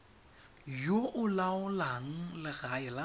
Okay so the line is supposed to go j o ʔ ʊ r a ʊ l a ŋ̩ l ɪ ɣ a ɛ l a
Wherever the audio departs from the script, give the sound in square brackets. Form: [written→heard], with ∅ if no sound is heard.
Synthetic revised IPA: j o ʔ ʊ [r→l] a ʊ l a ŋ̩ l ɪ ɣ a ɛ l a